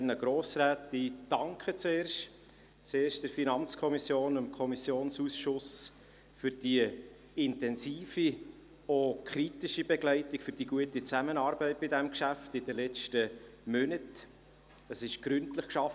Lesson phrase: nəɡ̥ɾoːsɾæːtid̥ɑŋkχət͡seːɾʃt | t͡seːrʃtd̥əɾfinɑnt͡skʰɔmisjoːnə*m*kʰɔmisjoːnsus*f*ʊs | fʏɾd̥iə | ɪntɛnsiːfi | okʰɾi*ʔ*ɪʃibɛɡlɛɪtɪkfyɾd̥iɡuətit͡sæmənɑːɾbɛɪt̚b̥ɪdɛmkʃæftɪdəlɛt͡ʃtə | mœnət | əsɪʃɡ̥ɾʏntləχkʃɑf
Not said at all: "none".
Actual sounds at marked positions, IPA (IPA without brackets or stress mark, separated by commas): m, ʃ, t